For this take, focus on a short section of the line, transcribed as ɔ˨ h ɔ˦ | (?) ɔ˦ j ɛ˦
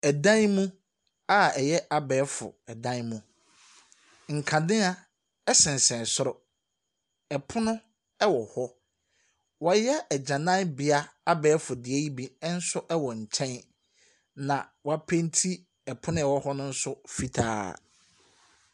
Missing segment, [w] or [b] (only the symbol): w